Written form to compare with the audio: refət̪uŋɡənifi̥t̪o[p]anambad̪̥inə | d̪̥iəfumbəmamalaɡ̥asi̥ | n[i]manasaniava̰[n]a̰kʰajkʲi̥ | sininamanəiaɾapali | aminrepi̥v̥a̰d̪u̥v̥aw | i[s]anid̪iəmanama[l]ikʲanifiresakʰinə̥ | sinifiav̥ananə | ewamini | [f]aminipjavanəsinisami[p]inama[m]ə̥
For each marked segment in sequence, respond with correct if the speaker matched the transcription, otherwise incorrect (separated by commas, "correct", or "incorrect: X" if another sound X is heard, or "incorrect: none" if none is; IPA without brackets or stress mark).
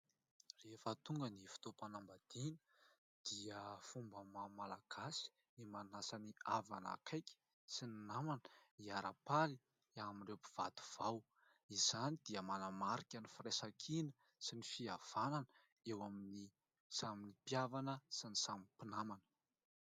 correct, correct, correct, incorrect: z, incorrect: ɾ, incorrect: s, correct, incorrect: n